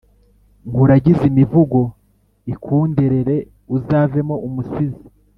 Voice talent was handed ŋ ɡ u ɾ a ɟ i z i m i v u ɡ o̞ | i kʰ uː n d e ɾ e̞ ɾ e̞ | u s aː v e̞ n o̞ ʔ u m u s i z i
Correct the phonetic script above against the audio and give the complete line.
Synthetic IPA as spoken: ŋ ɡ u ɾ a ɟ i z i m i v u ɡ o̞ | i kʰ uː n d e ɾ e̞ ɾ e̞ | u z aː v e̞ m o̞ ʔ u m u s i z i